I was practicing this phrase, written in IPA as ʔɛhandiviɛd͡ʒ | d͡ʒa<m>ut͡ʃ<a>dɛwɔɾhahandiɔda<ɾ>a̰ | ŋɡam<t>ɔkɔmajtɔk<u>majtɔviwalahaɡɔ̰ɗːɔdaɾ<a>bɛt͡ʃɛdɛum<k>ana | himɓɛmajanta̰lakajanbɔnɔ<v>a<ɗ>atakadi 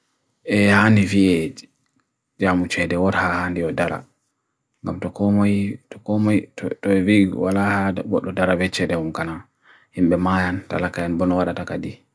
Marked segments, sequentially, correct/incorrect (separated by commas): correct, incorrect, correct, correct, incorrect, correct, correct, incorrect, correct